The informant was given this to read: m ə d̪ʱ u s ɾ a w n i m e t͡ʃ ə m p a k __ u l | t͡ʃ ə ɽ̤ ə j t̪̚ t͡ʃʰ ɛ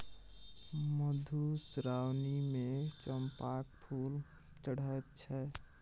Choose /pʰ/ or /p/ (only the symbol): pʰ